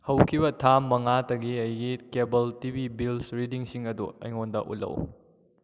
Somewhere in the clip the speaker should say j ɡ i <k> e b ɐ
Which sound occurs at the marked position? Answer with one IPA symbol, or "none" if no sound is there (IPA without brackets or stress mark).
k